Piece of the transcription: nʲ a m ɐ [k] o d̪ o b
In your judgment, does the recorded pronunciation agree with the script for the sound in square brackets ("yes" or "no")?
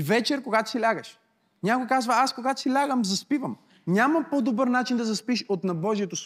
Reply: no